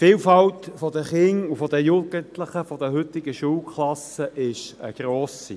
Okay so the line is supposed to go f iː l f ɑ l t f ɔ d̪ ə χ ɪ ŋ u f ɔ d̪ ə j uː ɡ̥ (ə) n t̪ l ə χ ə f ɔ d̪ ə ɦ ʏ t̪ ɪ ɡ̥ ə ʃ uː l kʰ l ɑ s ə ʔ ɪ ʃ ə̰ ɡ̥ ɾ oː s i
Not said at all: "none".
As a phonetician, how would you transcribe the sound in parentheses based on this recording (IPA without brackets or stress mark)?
ə